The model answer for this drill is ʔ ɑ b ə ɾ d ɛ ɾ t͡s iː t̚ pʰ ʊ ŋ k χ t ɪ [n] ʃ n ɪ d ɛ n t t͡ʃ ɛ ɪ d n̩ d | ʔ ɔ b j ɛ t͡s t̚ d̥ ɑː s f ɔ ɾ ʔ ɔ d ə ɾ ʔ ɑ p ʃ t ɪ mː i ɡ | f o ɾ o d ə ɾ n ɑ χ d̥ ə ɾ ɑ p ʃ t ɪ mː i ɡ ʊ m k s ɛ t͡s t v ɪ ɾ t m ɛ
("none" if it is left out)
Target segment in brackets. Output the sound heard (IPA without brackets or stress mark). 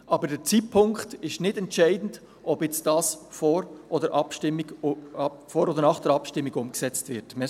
none